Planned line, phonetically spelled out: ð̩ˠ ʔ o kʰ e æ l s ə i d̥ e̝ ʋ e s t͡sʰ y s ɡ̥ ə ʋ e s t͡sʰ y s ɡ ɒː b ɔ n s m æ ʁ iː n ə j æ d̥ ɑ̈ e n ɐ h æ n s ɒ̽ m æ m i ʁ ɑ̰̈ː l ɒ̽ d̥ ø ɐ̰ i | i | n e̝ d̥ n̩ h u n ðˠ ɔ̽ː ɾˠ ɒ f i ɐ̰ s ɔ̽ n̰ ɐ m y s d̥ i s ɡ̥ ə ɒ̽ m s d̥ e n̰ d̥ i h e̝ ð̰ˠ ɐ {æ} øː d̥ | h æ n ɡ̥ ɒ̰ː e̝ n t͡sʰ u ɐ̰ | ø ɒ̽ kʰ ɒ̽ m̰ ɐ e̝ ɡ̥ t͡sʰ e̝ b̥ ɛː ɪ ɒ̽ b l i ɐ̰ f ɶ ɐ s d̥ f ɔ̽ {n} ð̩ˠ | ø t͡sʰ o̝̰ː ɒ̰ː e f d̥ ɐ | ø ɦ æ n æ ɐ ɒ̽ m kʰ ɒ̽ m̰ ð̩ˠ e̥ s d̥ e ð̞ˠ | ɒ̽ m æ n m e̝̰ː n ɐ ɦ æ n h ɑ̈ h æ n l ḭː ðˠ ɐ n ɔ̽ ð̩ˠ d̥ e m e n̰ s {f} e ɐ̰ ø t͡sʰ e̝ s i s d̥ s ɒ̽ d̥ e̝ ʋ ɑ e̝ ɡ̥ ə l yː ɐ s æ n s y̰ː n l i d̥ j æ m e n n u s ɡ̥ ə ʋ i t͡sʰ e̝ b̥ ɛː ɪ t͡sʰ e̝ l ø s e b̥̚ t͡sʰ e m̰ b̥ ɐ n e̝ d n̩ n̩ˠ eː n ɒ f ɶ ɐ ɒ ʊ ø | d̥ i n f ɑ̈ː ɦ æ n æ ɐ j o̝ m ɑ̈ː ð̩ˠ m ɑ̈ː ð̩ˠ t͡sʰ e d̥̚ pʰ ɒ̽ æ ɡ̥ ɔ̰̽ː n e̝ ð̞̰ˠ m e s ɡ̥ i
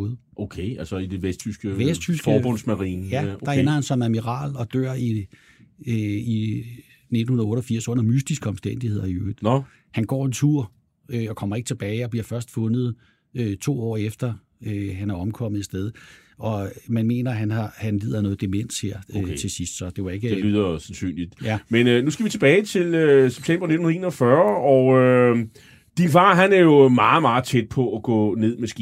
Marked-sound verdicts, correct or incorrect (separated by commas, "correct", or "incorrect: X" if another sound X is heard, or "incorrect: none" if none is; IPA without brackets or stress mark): incorrect: i, correct, incorrect: h